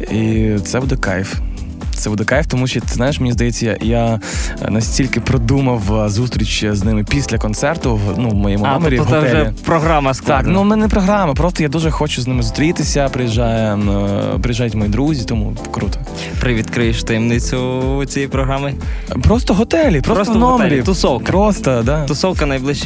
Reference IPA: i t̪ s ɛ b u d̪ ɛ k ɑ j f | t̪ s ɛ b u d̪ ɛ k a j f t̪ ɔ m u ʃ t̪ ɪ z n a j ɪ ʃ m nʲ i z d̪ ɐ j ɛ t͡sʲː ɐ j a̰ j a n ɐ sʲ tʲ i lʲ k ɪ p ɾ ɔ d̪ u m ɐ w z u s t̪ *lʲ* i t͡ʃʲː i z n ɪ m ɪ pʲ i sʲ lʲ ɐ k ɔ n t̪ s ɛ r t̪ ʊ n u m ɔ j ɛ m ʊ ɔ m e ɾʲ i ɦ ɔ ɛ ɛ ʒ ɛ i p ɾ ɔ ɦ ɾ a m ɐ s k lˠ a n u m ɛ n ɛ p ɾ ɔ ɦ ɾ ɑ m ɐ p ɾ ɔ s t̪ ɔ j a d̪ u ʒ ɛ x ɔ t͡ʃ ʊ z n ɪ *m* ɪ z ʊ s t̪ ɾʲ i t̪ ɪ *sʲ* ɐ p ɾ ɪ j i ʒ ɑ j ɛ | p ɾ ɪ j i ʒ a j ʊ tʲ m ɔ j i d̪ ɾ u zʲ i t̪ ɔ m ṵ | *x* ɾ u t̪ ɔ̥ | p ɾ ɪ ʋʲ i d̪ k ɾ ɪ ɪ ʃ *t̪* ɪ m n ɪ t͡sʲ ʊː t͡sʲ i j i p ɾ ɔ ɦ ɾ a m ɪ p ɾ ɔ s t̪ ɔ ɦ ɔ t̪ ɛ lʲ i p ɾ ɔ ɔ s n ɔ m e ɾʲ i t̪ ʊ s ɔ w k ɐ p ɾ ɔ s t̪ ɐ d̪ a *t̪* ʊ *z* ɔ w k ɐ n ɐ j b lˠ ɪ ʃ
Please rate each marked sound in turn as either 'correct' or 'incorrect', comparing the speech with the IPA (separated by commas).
incorrect, correct, correct, incorrect, correct, correct, incorrect